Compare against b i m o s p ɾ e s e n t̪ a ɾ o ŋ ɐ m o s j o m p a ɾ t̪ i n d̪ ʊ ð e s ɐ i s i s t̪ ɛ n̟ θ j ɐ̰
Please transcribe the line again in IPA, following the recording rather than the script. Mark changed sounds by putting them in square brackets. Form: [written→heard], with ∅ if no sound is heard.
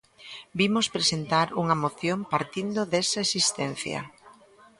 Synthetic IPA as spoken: b i m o s p ɾ e s e n t̪ a ɾ [o→u] ŋ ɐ m o [s→θ] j o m p a ɾ t̪ i n d̪ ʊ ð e s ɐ [i→e] s i s t̪ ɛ n̟ θ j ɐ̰

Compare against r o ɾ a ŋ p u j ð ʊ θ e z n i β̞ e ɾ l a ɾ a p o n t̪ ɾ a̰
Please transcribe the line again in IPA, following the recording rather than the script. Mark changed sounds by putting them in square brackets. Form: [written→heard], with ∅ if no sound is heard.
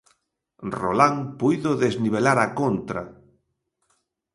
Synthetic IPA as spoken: r o [ɾ→l] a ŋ p u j ð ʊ [θ→ð] e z n i β̞ e [ɾ→∅] l a ɾ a [p→k] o n t̪ ɾ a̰

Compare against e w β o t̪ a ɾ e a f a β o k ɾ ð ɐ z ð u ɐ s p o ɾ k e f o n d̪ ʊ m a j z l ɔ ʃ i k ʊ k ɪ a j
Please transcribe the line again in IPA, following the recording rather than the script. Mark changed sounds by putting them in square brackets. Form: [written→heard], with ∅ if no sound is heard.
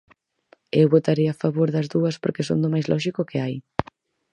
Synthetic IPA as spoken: e w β o t̪ a ɾ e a f a β o [k→∅] ɾ ð ɐ z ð u ɐ s p o ɾ k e [f→s] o n d̪ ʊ m a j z l ɔ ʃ i k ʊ k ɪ a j

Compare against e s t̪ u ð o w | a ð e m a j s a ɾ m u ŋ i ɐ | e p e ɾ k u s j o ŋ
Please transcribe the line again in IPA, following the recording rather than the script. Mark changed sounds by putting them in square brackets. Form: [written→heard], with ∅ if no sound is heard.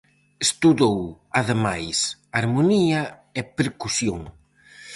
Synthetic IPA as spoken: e s t̪ u ð o w | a ð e m a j s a ɾ m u [ŋ→n] i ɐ | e p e ɾ k u s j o ŋ

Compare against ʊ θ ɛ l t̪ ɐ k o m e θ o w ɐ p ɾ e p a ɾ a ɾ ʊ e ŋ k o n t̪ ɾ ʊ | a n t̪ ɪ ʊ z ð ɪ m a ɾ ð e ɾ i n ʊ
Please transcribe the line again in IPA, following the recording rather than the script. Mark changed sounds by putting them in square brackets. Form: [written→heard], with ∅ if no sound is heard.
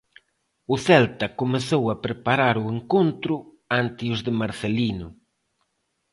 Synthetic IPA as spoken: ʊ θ ɛ l t̪ ɐ k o m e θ o w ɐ p ɾ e p a ɾ a ɾ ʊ e ŋ k o n t̪ ɾ ʊ | a n t̪ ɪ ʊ z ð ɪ m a ɾ [ð→θ] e [ɾ→l] i n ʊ

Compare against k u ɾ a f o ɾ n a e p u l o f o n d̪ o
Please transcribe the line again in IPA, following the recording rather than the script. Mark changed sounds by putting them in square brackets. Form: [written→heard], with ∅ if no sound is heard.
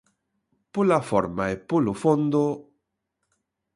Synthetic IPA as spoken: [k→p] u [ɾ→l] a f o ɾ [n→m] a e p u l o f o n d̪ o

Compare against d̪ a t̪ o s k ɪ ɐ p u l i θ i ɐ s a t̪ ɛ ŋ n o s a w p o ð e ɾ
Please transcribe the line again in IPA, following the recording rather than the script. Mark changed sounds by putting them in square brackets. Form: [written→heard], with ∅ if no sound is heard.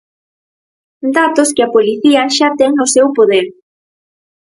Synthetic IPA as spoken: d̪ a t̪ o s k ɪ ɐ p [u→o] l i θ i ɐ [s→ʃ] a t̪ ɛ ŋ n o s [a→e] w p o ð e ɾ

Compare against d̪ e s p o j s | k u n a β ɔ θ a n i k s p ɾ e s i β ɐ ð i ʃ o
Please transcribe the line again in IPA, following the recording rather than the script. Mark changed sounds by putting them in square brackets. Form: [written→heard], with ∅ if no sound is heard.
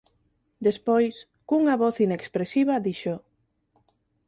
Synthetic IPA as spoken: d̪ e s p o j s | k u [n→ŋ] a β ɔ θ [a→i] n [i→e] k s p ɾ e s i β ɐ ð i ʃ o

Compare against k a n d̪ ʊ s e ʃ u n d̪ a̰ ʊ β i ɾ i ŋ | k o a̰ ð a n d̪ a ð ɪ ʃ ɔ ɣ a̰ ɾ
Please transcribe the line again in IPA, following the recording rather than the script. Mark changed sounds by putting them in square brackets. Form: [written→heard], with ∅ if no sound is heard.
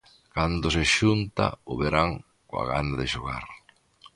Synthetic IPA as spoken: k a n d̪ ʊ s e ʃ u n [d̪→t̪] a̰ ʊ β [i→e] ɾ [i→a] ŋ | k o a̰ [ð→ɣ] a n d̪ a ð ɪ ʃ [ɔ→o] ɣ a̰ ɾ

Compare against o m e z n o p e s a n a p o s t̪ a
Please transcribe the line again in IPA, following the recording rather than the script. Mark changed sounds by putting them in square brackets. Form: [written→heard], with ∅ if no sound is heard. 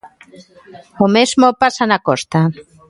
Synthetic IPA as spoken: o m e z [n→m] o p [e→a] s a n a [p→k] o s t̪ a

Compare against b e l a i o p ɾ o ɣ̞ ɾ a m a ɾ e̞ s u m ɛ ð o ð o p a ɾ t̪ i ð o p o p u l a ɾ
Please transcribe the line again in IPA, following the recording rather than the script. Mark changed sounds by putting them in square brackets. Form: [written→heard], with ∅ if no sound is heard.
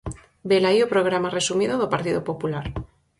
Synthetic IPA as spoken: b e l a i o p ɾ o ɣ̞ ɾ a m a [ɾ→r] e̞ s u m [ɛ→i] ð o ð o p a ɾ t̪ i ð o p o p u l a ɾ

